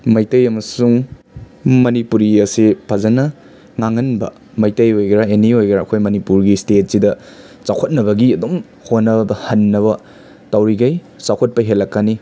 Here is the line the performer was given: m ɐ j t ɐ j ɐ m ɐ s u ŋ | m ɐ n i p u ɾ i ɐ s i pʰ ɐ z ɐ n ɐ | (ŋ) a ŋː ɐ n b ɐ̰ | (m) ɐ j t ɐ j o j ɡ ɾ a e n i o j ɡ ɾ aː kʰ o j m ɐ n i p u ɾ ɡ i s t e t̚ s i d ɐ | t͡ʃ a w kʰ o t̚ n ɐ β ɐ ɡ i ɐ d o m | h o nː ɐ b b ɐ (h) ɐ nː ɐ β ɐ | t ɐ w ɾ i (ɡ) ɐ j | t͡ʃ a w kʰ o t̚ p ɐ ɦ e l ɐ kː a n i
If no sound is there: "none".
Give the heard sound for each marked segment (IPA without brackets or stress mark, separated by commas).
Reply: ŋ, m, h, ɡ